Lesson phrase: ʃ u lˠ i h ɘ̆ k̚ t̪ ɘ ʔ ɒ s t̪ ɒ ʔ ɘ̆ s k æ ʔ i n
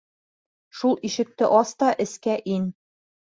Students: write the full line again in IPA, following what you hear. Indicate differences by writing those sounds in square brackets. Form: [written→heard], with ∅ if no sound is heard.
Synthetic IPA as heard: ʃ u lˠ i [h→ʃ] ɘ̆ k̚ t̪ ɘ ʔ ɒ s t̪ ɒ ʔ ɘ̆ s k æ ʔ i n

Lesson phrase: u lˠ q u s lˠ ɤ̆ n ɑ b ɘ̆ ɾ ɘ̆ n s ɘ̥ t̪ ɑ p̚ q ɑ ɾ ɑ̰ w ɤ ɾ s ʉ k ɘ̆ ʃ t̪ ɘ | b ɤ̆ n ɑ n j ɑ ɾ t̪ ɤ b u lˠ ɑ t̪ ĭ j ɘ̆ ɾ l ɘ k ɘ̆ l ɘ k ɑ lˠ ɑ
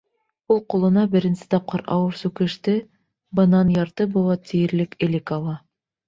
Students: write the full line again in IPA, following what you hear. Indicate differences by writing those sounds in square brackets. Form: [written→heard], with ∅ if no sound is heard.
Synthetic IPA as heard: u lˠ q u [s→∅] lˠ ɤ̆ n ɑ b ɘ̆ ɾ ɘ̆ n s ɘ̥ t̪ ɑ p̚ q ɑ ɾ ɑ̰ w ɤ ɾ s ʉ k ɘ̆ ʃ t̪ ɘ | b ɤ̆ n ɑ n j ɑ ɾ t̪ ɤ b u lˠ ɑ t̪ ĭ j ɘ̆ ɾ l ɘ k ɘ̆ l ɘ k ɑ lˠ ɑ

